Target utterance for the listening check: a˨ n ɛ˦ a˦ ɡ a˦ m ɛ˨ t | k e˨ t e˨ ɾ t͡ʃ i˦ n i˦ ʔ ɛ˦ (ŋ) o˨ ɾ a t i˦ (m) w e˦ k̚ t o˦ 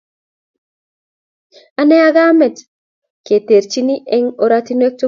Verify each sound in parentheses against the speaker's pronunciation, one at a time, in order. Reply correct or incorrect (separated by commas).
correct, incorrect